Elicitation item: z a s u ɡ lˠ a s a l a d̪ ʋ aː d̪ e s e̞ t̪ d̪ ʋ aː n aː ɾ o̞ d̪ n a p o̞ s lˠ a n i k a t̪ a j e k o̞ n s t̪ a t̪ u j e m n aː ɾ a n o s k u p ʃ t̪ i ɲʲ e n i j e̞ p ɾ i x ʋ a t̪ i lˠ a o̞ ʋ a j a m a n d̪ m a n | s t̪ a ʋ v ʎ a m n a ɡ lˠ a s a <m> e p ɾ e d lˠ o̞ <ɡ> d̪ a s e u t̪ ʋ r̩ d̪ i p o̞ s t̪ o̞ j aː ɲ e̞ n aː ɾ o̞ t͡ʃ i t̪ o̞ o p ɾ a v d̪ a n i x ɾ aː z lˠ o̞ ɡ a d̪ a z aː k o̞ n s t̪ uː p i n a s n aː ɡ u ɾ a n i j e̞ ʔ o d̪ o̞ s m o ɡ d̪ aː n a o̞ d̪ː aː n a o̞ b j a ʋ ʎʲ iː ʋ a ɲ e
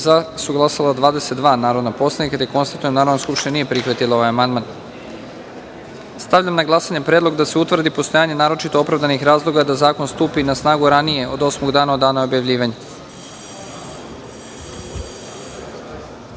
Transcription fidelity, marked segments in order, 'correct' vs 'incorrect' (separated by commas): incorrect, correct